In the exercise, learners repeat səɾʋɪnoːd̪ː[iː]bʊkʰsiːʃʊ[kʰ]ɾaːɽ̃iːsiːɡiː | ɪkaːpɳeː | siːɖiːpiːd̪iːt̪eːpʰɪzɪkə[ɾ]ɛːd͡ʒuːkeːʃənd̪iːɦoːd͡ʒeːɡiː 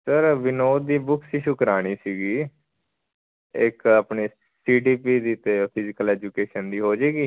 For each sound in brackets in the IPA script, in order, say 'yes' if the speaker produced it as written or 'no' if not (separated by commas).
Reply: yes, no, no